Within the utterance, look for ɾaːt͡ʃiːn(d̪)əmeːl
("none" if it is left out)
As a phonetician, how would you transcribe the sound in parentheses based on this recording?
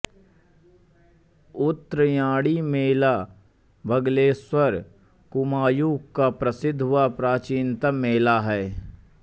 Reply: t̪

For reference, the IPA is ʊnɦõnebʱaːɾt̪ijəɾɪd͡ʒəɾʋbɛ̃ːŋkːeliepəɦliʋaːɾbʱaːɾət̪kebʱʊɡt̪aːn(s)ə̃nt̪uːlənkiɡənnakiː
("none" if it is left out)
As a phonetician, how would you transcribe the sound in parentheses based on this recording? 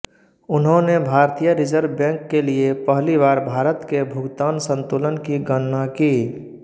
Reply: s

